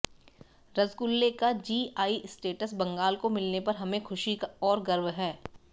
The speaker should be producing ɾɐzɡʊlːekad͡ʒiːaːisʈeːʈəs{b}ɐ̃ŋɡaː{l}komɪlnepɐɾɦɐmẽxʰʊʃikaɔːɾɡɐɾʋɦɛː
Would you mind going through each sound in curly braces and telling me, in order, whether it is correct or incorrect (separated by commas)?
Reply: correct, correct